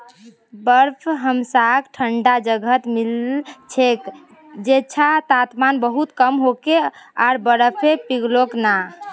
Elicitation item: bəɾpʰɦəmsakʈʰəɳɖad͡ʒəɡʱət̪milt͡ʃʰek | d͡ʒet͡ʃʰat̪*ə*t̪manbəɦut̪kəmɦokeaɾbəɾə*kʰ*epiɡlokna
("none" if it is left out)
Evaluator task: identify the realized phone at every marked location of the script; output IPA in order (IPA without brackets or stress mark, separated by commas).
a, pʰ